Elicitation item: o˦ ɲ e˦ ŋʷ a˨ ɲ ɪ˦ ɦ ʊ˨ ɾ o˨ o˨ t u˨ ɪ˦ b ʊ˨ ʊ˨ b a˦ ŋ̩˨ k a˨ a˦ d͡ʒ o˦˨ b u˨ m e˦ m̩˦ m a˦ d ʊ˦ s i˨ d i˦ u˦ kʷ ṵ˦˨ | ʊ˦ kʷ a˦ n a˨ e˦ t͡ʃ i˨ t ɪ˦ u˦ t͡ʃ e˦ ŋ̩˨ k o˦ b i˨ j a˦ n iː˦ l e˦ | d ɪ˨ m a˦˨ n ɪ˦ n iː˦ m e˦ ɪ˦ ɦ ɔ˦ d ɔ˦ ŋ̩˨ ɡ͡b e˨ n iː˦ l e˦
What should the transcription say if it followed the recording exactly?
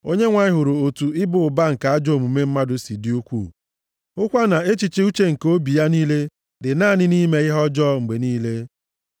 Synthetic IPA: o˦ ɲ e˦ ŋʷ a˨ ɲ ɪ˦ ɦ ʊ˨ ɾ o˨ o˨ t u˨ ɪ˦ b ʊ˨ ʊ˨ b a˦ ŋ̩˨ k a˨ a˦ d͡ʒ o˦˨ m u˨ m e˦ m̩˦ m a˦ d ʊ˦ s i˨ d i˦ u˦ kʷ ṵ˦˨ | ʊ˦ kʷ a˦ n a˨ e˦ t͡ʃ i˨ t͡ʃ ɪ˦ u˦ t͡ʃ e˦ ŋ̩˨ k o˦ b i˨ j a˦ n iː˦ l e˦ | d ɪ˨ n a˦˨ n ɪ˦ n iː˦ m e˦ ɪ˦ ɦ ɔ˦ d͡ʒ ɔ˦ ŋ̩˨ ɡ͡b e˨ n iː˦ l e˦